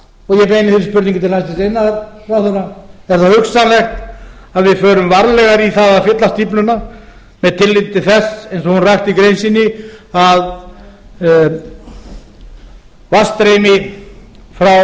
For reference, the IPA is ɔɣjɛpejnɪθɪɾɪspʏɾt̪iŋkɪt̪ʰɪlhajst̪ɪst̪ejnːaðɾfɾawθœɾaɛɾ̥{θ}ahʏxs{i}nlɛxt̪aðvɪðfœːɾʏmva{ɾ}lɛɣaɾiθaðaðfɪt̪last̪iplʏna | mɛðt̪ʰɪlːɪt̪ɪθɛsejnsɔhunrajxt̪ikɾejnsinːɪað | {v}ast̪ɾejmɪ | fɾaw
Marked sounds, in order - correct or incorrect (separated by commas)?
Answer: correct, incorrect, correct, correct